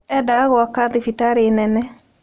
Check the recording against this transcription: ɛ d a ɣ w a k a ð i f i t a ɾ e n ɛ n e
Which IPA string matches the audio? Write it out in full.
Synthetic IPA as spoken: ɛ d a ɣ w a k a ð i f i t a ɾ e n ɛ n ɛ